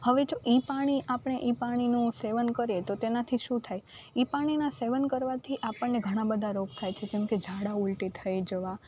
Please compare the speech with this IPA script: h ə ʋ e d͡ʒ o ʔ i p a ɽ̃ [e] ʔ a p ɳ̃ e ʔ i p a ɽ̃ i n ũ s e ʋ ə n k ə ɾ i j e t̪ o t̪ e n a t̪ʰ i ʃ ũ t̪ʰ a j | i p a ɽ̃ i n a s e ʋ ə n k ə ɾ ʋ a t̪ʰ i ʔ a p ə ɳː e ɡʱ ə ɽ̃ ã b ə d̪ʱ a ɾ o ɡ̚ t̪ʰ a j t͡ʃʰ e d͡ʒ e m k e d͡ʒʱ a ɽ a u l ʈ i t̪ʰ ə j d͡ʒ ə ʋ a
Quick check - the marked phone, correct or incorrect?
incorrect